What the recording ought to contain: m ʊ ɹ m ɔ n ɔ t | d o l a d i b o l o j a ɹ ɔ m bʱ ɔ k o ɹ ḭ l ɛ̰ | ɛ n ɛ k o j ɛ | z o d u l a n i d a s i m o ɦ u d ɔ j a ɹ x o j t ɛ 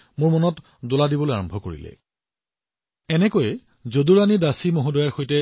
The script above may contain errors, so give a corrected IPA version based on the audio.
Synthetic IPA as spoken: m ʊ ɹ m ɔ n ɔ t | d o l a d i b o l o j a ɹ ɔ m bʱ ɔ k o ɹ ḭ l ɛ̰ | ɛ n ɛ k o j ɛ | z o d u ɹ a n i d a s i m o ɦ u d ɔ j a ɹ x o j t ɛ

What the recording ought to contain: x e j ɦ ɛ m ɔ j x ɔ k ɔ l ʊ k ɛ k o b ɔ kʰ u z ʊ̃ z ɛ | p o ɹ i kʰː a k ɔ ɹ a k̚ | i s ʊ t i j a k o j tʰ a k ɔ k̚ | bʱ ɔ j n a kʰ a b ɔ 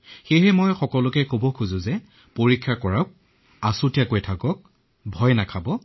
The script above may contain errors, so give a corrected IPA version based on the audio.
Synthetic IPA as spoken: x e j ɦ ɛ m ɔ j x ɔ k ɔ l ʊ k ɛ k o b ɔ kʰ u z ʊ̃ z ɛ | p o ɹ i kʰː a k ɔ ɹ a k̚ | a s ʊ t i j a k o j tʰ a k ɔ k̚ | bʱ ɔ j n a kʰ a b ɔ

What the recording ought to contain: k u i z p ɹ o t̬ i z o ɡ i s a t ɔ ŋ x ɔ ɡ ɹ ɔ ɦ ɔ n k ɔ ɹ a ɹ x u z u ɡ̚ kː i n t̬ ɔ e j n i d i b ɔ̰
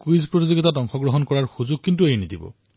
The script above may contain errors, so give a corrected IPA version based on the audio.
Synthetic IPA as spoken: k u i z p ɹ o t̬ i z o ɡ i t a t ɔ ŋ x ɔ ɡ ɹ ɔ ɦ ɔ n k ɔ ɹ a ɹ x u z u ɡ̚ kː i n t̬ u e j n i d i b ɔ̰

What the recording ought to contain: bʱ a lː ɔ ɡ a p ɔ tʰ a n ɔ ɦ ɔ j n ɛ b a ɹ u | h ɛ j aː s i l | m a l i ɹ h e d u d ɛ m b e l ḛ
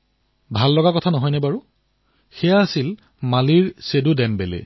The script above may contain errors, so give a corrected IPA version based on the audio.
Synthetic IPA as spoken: bʱ a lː ɔ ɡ a k ɔ tʰ a n ɔ ɦ ɔ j n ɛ b a ɹ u | x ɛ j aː s i l | m a l i ɹ s e d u d ɛ m b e l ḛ

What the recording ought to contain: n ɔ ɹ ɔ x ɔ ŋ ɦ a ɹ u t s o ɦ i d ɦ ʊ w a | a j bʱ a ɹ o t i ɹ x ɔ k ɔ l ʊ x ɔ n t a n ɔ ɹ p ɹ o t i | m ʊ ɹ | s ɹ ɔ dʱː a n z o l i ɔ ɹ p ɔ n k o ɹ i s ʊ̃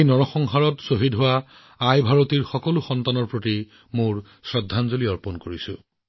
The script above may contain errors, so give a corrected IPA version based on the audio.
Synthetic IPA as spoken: n ɔ ɹ ɔ x ɔ ŋ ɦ a ɹ ɔ t s o ɦ i d ɦ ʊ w a | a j bʱ a ɹ o t i ɹ x ɔ k ɔ l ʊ x ɔ n t a n ɔ ɹ p ɹ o t i | m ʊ ɹ | s ɹ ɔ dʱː a n z o l i ɔ ɹ p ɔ n k o ɹ i s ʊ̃

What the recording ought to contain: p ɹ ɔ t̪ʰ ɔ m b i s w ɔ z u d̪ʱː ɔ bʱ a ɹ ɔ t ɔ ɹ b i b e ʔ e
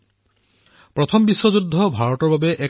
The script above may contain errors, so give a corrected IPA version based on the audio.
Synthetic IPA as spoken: p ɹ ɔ t̪ʰ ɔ m b i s w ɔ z u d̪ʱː ɔ bʱ a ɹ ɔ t ɔ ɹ b a b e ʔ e

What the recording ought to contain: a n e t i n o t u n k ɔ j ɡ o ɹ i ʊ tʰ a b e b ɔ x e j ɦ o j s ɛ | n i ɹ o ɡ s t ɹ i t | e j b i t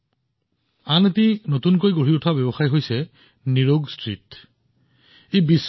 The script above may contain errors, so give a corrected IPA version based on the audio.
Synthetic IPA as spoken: a n e t i n o t u n k o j ɡ o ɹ i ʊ tʰ a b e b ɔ x a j ɦ o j s ɛ | n i ɹ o ɡ s t ɹ i t | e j b i s

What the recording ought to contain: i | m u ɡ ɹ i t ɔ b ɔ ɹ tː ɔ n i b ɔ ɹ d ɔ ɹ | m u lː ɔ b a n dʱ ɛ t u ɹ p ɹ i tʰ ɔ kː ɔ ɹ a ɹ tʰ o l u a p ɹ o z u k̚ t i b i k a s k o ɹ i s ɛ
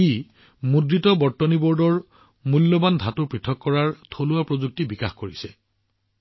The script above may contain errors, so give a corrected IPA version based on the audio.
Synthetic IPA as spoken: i | m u d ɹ i t ɔ b ɔ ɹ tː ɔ n i b ɔ ɹ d ɔ ɹ | m u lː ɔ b a n dʱ a t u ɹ p ɹ i tʰ ɔ kː ɔ ɹ a ɹ tʰ o l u a p ɹ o z u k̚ t i b i k a x k o ɹ i s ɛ

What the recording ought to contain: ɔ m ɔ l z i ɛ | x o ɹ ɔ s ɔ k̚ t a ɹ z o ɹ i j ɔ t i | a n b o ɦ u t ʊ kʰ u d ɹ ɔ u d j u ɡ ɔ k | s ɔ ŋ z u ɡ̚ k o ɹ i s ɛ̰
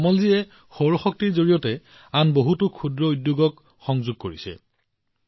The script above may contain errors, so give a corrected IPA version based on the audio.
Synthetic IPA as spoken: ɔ m ɔ l z i ɛ | x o ɹ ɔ x ɔ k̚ t i ɹ z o ɹ i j ɔ t ɛ | a n b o ɦ u t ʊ kʰ u d ɹ ɔ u d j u ɡ ɔ k | x ɔ ŋ z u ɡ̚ k o ɹ i s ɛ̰

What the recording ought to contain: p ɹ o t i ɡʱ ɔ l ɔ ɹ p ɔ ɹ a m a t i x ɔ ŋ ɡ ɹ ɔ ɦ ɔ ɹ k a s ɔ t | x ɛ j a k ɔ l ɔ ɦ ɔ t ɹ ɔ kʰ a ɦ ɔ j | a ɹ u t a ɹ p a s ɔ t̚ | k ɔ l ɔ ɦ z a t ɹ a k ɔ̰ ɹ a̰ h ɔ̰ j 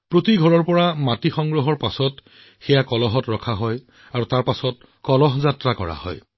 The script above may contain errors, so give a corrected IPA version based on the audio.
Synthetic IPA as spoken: p ɹ o t i ɡʱ ɔ ɹ ɔ ɹ p ɔ ɹ a m a t i x ɔ ŋ ɡ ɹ ɔ ɦ ɔ ɹ p a s ɔ t | x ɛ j a k ɔ l ɔ ɦ ɔ t ɹ ɔ kʰ a ɦ ɔ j | a ɹ u t a ɹ p a s ɔ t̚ | k ɔ l ɔ ɦ z a t ɹ a k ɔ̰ ɹ a̰ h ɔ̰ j

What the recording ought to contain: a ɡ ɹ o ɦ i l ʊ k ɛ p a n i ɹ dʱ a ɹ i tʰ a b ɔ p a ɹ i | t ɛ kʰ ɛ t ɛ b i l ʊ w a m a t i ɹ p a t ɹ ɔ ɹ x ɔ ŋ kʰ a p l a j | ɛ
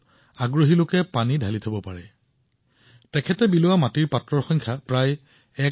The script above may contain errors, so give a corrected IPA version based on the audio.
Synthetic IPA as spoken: a ɡ ɹ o ɦ i l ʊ k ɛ p a n i dʱ a l i tʰ a b ɔ p a ɹ ɛ | t ɛ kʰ ɛ t ɛ b i l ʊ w a m a t i ɹ p a t ɹ ɔ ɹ x ɔ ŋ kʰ a p ɹ a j | ɛ

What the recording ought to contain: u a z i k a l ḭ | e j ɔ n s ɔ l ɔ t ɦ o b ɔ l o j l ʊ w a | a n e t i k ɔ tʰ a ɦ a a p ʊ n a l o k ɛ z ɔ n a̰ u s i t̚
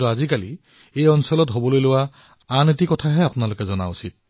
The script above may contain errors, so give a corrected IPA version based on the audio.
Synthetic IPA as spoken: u a z i k a l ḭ | e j ɔ n s ɔ l ɔ t ɦ o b ɔ l o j l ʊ w a | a n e t i k ɔ tʰ a ɦ ɛ a p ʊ n a l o k ɛ z ɔ n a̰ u s i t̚

